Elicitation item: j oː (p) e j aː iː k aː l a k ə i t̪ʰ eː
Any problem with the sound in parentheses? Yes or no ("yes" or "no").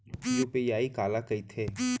no